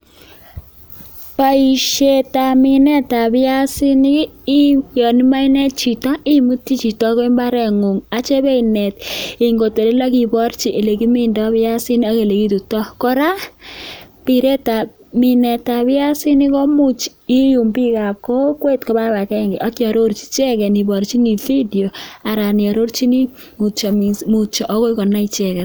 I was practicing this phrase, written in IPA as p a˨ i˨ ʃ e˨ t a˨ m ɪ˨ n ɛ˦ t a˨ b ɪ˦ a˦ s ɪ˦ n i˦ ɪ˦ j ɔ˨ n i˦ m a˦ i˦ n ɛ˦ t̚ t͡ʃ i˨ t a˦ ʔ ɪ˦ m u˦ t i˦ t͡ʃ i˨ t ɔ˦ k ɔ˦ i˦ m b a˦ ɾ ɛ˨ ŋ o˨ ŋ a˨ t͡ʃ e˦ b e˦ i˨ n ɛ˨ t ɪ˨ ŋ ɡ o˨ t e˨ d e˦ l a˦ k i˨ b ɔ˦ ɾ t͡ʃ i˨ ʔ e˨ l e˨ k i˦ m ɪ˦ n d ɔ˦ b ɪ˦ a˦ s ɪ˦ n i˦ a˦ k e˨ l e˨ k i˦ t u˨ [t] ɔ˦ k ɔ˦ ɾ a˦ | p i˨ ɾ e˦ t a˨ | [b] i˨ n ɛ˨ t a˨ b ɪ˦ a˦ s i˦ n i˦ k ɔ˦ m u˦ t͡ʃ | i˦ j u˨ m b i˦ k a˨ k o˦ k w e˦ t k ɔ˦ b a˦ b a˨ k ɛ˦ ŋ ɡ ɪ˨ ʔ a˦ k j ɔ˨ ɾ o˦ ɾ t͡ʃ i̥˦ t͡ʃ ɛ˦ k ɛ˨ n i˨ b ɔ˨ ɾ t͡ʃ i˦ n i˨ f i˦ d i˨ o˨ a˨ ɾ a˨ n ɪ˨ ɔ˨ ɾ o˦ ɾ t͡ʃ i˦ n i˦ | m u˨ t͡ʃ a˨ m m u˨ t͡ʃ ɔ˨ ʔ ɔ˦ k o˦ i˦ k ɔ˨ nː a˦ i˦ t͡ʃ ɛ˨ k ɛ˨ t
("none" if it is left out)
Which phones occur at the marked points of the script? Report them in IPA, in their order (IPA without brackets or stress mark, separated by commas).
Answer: t, m